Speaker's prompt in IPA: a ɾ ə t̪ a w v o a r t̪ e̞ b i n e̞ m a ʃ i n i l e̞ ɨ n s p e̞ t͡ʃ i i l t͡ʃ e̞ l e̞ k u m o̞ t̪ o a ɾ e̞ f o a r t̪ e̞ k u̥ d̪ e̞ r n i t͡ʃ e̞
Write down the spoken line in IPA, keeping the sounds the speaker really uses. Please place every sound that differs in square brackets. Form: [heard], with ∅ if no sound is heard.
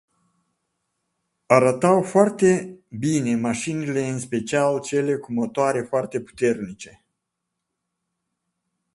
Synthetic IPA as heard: a ɾ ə t̪ a w [f] o a r t̪ e̞ b i n e̞ m a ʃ i n i l e̞ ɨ n s p e̞ t͡ʃ i [a] l t͡ʃ e̞ l e̞ k u m o̞ t̪ o a ɾ e̞ f o a r t̪ e̞ [p] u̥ [t̪] e̞ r n i t͡ʃ e̞

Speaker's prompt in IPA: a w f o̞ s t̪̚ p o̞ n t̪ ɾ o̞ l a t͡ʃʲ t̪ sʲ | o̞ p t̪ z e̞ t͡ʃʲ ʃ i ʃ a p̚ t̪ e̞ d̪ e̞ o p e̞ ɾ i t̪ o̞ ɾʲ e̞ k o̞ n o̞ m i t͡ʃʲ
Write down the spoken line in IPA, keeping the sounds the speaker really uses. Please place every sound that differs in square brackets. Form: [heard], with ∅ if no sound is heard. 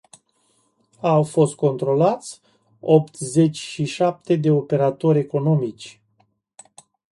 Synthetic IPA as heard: a w f o̞ s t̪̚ [k] o̞ n t̪ ɾ o̞ l a [∅] t̪ sʲ | o̞ p t̪ z e̞ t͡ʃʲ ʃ i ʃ a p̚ t̪ e̞ d̪ e̞ o p e̞ ɾ [a] t̪ o̞ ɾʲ e̞ k o̞ n o̞ m i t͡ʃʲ

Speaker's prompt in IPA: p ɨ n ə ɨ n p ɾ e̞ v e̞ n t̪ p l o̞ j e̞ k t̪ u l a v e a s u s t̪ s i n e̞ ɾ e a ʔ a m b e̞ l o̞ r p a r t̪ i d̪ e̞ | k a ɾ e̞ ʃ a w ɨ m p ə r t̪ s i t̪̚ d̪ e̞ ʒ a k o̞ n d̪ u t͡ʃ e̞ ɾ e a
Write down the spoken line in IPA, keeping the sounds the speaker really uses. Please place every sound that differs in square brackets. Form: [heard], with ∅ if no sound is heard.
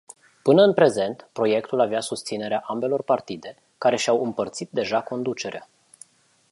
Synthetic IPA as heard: p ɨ n ə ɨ n p ɾ e̞ [z] e̞ n t̪ p [ɾ] o̞ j e̞ k t̪ u l a v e a s u s t̪ s i n e̞ ɾ e a ʔ a m b e̞ l o̞ r p a r t̪ i d̪ e̞ | k a ɾ e̞ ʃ a w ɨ m p ə r t̪ s i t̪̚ d̪ e̞ ʒ a k o̞ n d̪ u t͡ʃ e̞ ɾ e a

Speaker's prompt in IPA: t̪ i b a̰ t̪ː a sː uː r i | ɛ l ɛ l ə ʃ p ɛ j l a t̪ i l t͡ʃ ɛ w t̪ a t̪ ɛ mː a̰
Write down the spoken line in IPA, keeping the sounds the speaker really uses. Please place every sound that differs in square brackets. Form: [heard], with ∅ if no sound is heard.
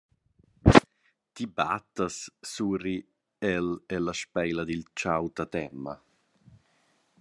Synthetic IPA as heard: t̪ i b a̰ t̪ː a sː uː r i | ɛ l ɛ l [a] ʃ p ɛ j l a [d̪] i l t͡ʃ [a] w t̪ a t̪ ɛ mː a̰

